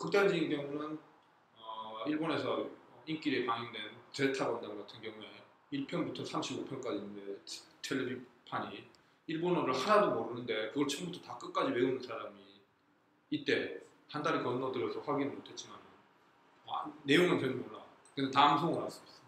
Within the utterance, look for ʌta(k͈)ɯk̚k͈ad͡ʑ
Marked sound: correct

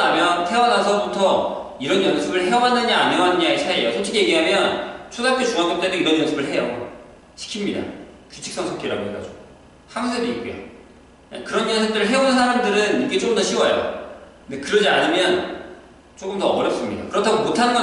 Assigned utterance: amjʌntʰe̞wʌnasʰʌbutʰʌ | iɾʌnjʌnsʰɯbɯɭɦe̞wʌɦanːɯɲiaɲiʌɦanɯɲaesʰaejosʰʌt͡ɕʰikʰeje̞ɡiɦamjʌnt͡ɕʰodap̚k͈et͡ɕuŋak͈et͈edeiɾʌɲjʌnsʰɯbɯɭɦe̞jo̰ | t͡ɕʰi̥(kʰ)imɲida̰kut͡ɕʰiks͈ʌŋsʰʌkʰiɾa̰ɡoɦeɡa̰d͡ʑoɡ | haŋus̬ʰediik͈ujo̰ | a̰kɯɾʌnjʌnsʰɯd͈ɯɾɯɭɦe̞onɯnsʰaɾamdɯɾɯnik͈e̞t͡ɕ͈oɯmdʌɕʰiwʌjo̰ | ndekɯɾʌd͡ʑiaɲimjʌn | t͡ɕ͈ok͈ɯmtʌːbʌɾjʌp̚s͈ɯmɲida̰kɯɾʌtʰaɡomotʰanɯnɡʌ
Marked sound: correct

